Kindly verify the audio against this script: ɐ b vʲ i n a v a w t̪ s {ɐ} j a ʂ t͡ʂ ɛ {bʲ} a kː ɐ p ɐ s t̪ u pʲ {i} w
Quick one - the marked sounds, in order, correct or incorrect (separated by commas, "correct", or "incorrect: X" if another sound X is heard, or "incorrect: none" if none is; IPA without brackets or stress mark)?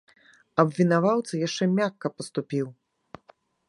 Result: correct, incorrect: mʲ, correct